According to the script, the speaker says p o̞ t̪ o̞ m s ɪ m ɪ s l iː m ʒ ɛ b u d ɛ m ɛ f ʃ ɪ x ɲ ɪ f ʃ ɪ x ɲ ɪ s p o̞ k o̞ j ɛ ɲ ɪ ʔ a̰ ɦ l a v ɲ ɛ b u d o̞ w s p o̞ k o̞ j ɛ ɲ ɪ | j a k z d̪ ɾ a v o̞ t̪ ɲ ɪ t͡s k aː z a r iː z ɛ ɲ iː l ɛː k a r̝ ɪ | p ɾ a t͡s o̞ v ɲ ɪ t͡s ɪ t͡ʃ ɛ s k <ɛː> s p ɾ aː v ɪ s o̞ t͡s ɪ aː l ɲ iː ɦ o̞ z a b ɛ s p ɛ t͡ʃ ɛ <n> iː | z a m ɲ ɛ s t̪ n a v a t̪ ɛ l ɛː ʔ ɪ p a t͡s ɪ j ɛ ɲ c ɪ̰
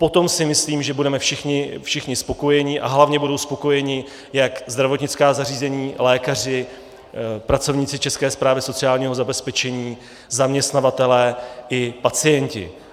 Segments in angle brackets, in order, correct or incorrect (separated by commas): correct, incorrect